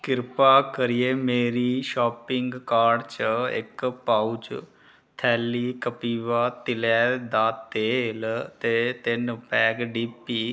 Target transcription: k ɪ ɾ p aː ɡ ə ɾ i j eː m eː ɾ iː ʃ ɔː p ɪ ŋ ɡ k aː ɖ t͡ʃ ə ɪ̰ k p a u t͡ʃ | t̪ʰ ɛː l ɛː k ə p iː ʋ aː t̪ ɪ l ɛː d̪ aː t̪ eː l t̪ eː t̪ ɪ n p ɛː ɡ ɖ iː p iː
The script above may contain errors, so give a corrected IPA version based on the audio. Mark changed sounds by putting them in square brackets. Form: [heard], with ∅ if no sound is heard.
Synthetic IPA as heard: k ɪ ɾ p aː [k] ə ɾ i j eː m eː ɾ iː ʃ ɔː p ɪ ŋ ɡ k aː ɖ t͡ʃ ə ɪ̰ k p a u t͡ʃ | t̪ʰ ɛː l [iː] k ə p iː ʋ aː t̪ ɪ l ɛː d̪ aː t̪ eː l t̪ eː t̪ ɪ n p ɛː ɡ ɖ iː p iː

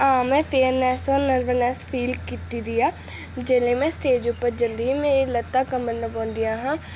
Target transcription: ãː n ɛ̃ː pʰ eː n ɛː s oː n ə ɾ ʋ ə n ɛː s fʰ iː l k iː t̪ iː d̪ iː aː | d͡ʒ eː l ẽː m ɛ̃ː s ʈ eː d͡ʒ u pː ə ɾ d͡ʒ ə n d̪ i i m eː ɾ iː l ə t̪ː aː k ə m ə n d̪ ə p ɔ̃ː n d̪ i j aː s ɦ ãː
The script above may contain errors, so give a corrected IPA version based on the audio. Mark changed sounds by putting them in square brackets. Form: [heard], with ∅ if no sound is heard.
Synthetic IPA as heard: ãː [m] ɛ̃ː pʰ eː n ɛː s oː n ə ɾ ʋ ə n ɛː s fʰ iː l k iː t̪ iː d̪ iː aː | d͡ʒ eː l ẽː m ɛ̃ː s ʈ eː d͡ʒ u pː ə ɾ d͡ʒ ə n d̪ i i m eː ɾ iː l ə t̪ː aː k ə m ə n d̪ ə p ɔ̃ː n d̪ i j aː [∅] ɦ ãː

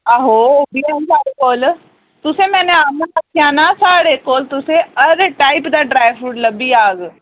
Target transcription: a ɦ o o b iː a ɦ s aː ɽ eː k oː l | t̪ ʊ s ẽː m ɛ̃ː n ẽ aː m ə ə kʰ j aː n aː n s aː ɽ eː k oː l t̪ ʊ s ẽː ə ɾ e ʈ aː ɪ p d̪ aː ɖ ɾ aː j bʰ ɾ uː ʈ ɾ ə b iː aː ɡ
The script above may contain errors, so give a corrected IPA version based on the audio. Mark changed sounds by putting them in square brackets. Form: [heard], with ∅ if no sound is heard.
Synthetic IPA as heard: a ɦ o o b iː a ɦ s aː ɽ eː k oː l | t̪ ʊ s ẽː m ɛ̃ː n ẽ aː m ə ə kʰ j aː n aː [∅] s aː ɽ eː k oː l t̪ ʊ s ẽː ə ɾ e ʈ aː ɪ p d̪ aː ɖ ɾ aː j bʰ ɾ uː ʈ [l] ə b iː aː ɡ

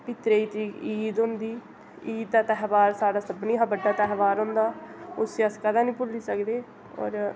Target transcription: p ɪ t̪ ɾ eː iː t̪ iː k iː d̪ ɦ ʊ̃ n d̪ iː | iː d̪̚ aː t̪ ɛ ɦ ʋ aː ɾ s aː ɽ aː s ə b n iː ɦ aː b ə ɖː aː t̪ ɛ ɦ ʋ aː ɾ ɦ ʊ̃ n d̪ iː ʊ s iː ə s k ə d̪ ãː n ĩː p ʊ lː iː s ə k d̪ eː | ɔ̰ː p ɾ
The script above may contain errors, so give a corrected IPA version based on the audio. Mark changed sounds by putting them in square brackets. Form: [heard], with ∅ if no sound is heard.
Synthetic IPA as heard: p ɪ t̪ ɾ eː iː t̪ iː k iː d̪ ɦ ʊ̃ n d̪ iː | iː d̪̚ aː t̪ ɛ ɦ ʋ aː ɾ s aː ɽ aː s ə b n iː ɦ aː b ə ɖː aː t̪ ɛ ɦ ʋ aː ɾ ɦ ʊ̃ n d̪ [aː] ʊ s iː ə s k ə d̪ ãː n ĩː p ʊ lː iː s ə k d̪ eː | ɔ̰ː [∅] ɾ

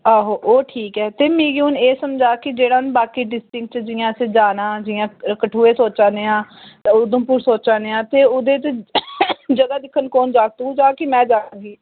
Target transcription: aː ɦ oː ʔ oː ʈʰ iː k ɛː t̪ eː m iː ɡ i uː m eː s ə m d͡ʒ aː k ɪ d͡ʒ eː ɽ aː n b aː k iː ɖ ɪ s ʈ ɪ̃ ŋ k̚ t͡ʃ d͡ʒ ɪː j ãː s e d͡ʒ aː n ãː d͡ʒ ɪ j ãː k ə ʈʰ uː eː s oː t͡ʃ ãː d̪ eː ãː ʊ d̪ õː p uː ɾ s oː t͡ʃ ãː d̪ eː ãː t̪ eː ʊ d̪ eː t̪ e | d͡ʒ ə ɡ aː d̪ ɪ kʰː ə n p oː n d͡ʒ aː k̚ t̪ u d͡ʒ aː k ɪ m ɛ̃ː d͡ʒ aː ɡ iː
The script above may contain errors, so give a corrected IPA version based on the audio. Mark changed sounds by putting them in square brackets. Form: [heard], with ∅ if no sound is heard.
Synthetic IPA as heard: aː ɦ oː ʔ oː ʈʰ iː k ɛː t̪ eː m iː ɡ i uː [n] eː s ə m d͡ʒ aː k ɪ d͡ʒ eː ɽ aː n b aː k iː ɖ ɪ s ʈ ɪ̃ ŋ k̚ t͡ʃ d͡ʒ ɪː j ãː s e d͡ʒ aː n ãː d͡ʒ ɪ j ãː k ə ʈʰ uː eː s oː t͡ʃ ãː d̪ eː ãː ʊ d̪ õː p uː ɾ s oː t͡ʃ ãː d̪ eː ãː t̪ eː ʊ d̪ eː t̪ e | d͡ʒ ə ɡ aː d̪ ɪ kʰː ə n [k] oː n d͡ʒ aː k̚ t̪ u d͡ʒ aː k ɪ m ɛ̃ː d͡ʒ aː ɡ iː

